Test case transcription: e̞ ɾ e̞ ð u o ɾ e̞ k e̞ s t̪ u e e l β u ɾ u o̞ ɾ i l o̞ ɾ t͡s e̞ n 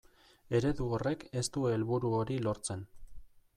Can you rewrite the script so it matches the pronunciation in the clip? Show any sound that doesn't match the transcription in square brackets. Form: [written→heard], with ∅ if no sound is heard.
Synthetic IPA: e̞ ɾ e̞ ð u o [ɾ→r] e̞ k e̞ s t̪ u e e l β u ɾ u o̞ ɾ i l o̞ ɾ t͡s e̞ n